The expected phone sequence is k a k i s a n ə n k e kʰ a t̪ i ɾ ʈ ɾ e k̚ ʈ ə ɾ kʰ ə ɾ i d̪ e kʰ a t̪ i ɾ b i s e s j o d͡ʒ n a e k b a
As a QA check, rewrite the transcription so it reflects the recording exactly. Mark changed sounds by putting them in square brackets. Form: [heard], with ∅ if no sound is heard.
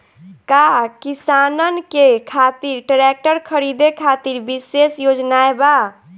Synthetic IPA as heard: k a k i s a n ə n k e kʰ a t̪ i ɾ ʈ ɾ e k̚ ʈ ə ɾ kʰ ə ɾ i d̪ e kʰ a t̪ i ɾ b i s e s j o d͡ʒ n a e [∅] b a